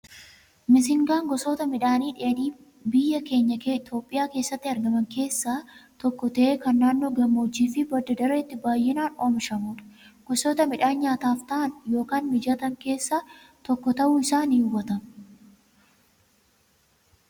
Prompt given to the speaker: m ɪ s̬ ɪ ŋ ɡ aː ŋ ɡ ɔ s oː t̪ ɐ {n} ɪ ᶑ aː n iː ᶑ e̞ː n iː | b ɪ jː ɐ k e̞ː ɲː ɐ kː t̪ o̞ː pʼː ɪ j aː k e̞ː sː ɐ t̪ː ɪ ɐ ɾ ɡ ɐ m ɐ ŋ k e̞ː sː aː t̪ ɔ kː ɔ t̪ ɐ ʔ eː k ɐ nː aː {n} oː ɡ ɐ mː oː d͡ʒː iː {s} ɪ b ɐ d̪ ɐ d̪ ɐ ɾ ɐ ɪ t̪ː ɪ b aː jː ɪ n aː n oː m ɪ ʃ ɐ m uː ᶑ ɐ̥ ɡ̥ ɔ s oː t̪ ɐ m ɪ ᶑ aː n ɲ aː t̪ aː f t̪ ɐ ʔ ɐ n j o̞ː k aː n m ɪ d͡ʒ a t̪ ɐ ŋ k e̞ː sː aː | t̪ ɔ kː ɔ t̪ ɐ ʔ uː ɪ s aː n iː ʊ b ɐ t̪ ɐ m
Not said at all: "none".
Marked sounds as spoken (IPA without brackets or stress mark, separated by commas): m, nː, f